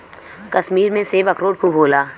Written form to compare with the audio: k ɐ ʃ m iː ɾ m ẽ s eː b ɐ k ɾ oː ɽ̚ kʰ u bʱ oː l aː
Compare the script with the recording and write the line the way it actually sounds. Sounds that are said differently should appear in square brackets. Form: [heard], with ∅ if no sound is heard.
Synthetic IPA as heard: k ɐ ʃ m iː ɾ m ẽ s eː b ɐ k ɾ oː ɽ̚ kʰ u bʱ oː l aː